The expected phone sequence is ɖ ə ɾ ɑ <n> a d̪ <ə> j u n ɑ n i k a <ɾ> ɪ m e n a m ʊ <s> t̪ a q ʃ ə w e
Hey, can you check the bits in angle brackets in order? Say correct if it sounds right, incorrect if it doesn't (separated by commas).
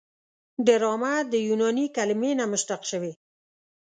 incorrect, correct, incorrect, incorrect